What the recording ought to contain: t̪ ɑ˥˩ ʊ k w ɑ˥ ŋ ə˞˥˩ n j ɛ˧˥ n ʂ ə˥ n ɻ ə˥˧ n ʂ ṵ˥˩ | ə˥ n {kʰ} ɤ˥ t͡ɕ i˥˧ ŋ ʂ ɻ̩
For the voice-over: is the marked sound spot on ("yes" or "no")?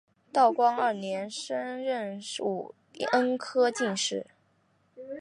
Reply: yes